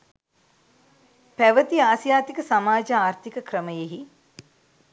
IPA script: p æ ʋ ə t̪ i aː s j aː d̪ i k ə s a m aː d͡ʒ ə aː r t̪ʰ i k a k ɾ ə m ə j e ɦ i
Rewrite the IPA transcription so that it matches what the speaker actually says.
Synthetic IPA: p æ ʋ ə t̪ i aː s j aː t̪ i k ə s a m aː d͡ʒ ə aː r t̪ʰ i k ə k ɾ ə m ə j e ɦ i